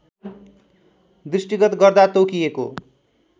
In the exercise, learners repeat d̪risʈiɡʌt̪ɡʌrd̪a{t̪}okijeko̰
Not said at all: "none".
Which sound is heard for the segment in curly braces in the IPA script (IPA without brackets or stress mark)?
t̪